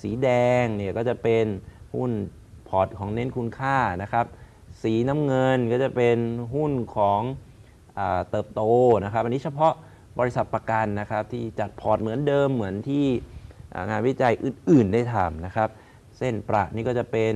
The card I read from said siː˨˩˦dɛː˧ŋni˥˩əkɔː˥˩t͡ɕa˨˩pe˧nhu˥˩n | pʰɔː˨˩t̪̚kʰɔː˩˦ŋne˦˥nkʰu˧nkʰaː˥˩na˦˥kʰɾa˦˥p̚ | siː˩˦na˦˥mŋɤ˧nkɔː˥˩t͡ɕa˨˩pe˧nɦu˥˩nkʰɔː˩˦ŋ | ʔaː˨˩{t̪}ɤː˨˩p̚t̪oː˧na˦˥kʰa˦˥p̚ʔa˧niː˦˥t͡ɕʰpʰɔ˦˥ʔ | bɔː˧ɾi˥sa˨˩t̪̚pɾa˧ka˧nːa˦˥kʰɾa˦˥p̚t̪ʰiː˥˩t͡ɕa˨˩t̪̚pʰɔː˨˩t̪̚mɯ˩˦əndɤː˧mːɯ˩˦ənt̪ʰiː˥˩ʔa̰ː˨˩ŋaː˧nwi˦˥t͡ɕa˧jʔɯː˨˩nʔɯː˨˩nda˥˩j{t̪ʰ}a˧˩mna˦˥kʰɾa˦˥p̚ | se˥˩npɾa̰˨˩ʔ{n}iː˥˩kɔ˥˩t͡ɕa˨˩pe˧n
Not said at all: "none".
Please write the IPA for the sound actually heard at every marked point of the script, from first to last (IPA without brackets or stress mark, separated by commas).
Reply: t̪, t̪ʰ, n